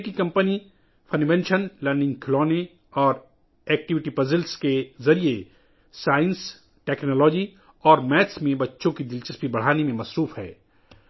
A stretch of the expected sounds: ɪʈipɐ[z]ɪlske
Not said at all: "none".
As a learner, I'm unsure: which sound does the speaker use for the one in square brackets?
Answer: z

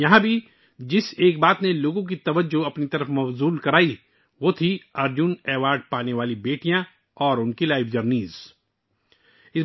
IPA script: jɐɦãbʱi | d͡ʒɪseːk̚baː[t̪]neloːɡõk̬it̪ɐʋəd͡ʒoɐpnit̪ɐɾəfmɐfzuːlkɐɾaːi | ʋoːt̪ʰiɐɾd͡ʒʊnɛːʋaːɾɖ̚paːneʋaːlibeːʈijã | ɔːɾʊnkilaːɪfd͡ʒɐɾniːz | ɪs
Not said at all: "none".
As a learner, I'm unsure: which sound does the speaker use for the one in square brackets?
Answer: t̪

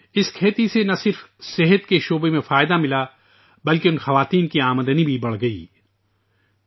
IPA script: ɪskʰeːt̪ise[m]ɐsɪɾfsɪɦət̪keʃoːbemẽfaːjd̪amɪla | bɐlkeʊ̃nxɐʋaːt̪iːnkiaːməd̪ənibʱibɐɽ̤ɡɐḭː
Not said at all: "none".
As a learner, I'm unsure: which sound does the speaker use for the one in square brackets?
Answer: n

